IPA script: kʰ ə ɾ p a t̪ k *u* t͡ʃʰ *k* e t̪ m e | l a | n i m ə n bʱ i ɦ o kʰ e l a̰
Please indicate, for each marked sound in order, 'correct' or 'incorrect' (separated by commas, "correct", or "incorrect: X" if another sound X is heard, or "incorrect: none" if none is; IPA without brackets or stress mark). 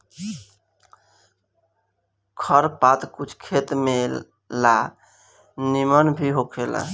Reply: correct, incorrect: kʰ